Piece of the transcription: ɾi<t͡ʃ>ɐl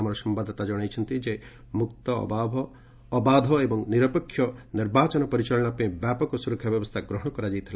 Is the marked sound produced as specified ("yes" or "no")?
yes